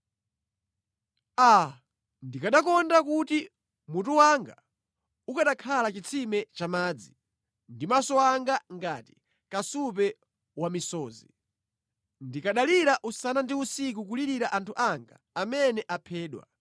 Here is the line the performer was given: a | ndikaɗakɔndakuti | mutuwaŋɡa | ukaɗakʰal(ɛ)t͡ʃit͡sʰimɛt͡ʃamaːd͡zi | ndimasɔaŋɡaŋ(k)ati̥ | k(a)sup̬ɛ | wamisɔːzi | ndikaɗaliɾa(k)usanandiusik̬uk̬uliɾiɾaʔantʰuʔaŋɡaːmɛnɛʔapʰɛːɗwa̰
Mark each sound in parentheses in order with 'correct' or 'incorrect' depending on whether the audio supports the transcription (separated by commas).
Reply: incorrect, incorrect, correct, incorrect